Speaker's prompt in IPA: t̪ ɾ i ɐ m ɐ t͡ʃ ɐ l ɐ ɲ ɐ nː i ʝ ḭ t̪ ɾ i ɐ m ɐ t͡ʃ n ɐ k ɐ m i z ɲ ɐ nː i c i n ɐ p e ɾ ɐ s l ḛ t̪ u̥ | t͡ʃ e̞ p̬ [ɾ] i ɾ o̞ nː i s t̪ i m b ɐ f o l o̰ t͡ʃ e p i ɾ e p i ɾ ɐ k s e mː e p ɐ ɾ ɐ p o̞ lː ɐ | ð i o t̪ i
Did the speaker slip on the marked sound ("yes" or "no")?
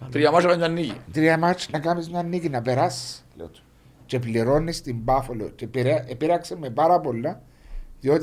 yes